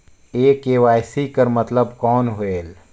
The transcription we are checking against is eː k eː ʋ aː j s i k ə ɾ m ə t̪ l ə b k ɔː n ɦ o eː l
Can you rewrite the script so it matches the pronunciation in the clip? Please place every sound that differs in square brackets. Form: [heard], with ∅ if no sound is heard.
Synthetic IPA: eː k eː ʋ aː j s i k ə ɾ m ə t̪ l ə b k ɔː n ɦ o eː l

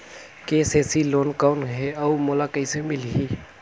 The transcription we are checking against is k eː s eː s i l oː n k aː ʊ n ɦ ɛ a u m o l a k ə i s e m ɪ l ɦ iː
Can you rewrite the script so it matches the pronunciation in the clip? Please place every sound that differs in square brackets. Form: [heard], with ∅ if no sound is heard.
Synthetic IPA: k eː s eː s i l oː n k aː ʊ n ɦ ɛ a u m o l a k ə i s e m ɪ l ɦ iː

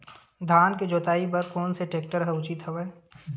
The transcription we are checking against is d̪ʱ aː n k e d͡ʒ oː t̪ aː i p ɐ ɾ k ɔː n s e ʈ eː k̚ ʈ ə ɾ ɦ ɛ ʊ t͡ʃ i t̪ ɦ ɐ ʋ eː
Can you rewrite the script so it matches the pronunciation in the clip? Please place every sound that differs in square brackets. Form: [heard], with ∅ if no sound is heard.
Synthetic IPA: d̪ʱ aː n k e d͡ʒ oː t̪ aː i p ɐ ɾ k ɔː n s e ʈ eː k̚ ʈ ə ɾ ɦ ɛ ʊ t͡ʃ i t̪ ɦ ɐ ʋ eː

